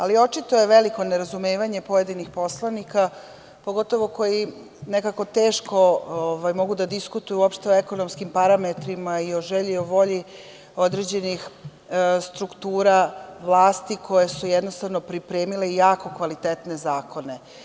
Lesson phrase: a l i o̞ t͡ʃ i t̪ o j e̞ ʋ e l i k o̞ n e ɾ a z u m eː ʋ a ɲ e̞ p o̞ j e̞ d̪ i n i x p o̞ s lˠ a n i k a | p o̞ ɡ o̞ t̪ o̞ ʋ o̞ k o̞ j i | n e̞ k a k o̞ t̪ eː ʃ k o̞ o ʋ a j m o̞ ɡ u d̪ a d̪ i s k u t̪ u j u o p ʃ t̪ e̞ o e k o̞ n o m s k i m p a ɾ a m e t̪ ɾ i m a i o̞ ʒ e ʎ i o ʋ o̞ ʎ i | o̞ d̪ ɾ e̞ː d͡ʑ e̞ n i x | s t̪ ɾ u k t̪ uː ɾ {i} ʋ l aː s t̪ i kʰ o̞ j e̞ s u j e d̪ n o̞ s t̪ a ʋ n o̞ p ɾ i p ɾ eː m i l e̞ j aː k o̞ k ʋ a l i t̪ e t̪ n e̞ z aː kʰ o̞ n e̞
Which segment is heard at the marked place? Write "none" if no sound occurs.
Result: a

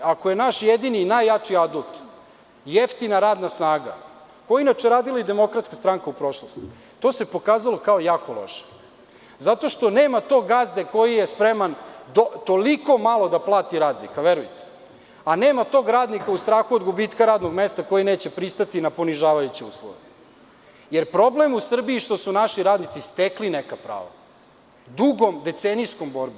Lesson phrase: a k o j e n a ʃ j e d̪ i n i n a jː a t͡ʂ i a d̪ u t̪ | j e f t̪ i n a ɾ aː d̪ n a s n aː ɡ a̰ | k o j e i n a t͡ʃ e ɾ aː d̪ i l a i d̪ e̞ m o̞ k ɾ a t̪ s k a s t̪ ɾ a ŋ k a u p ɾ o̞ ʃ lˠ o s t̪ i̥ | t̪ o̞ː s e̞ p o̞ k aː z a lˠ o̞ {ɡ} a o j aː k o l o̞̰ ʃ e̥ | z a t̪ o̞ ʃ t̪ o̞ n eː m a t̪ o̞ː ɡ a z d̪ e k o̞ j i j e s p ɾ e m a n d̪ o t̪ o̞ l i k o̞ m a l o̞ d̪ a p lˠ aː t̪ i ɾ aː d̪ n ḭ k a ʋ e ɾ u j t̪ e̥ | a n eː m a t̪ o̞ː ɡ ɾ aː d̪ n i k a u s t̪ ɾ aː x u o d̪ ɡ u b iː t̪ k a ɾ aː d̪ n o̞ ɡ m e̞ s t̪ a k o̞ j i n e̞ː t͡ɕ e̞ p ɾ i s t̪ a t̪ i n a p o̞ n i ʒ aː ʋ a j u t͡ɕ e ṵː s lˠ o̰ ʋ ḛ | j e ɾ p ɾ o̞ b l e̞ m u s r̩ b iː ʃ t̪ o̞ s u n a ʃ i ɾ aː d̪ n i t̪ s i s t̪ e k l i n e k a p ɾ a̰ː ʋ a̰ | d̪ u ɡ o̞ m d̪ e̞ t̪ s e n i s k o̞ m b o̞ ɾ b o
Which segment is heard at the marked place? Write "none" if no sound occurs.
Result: k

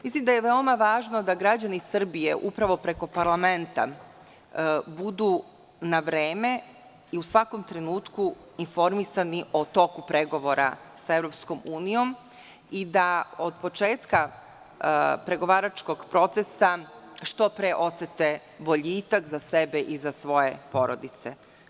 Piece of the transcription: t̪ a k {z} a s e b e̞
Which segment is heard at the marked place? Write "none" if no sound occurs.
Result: z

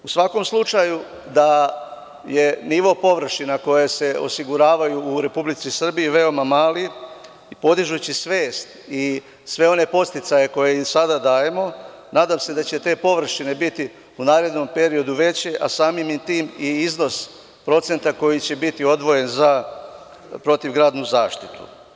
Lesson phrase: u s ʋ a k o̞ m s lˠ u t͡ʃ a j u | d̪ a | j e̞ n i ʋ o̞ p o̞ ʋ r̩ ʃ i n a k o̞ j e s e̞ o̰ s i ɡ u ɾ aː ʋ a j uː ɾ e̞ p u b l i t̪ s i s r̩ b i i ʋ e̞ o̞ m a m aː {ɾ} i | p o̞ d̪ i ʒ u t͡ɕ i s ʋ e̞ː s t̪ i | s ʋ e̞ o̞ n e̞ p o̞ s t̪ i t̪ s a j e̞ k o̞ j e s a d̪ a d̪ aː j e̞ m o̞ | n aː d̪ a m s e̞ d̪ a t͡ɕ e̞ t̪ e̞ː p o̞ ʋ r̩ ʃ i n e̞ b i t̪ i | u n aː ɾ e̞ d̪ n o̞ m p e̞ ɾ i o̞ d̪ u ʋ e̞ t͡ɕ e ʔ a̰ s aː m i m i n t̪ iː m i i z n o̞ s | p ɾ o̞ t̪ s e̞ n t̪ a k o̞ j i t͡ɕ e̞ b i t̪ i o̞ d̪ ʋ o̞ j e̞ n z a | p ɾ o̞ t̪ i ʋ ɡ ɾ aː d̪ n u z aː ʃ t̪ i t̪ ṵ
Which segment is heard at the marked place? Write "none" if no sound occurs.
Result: l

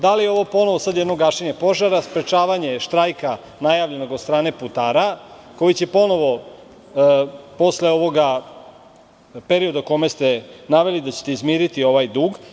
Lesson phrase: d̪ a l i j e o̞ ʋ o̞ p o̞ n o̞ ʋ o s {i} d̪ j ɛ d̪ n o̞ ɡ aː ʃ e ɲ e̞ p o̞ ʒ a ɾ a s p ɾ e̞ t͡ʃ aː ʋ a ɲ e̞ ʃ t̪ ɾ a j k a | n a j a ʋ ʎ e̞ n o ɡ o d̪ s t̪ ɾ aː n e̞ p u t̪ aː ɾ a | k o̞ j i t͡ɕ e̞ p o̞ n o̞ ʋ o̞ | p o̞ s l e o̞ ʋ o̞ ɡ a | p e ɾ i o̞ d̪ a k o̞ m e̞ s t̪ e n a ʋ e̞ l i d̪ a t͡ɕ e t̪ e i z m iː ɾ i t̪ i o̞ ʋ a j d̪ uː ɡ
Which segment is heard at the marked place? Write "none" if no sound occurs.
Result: a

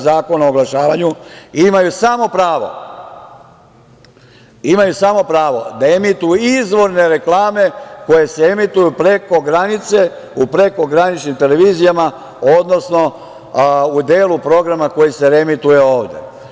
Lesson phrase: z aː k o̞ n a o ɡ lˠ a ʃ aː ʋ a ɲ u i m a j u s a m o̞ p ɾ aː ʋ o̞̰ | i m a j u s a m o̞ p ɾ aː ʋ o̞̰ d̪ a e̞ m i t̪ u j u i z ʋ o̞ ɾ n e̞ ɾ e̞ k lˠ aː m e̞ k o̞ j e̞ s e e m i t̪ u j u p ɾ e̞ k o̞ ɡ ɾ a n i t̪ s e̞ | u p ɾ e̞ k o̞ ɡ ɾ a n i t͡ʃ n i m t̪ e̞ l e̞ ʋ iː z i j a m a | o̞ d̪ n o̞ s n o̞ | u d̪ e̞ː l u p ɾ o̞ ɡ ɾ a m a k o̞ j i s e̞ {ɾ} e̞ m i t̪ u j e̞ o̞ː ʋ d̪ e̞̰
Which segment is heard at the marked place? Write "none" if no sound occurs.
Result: ɾ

